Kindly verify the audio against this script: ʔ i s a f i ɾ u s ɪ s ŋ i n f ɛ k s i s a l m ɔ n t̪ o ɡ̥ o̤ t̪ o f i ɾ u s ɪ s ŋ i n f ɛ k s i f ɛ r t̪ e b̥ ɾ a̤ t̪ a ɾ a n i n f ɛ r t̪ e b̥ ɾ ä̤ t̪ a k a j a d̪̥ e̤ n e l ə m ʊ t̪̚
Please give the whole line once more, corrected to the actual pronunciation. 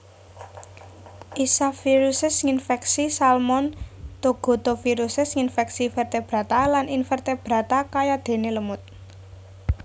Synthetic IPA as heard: ʔ i s a f i ɾ u s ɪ s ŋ i n f ɛ k s i s a l m ɔ n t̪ o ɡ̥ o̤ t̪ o f i ɾ u s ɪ s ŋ i n f ɛ k s i f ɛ r t̪ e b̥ ɾ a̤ t̪ a l a n i n f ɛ r t̪ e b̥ ɾ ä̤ t̪ a k a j a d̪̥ e̤ n e l ə m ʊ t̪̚